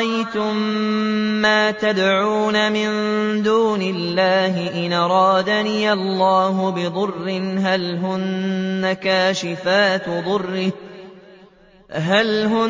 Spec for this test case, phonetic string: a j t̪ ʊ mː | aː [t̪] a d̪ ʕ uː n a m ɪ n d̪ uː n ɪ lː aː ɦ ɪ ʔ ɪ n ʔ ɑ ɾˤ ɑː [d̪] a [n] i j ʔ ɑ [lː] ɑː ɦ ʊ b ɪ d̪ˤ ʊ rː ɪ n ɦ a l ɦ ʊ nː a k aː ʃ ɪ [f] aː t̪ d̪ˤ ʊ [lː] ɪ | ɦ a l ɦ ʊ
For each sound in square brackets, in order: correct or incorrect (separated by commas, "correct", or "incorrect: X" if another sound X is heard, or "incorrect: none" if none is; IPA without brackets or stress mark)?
correct, correct, correct, correct, correct, incorrect: rː